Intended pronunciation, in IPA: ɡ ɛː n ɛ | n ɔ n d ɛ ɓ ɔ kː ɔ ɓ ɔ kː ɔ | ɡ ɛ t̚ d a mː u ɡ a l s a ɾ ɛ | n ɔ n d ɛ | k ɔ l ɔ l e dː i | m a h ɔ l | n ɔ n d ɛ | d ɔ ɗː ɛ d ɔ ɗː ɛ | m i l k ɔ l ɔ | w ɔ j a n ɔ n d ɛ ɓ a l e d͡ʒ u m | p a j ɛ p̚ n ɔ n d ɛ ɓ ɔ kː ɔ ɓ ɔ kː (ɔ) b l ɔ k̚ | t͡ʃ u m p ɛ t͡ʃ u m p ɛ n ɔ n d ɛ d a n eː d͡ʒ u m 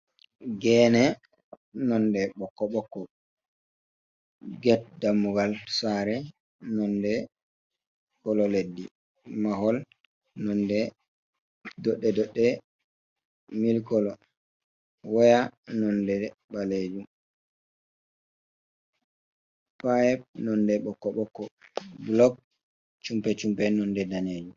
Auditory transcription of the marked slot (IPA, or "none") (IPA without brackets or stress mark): ɔ